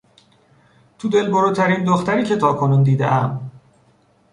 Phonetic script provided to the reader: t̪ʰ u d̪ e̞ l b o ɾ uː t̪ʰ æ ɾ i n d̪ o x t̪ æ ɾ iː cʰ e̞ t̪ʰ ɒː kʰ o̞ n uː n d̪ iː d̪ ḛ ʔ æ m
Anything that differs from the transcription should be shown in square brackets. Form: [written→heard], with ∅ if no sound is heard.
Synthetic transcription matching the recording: t̪ʰ u d̪ e̞ l b o ɾ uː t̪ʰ æ ɾ i n d̪ o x t̪ æ ɾ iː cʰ e̞ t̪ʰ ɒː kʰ o̞ n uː n d̪ iː d̪ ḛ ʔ æ m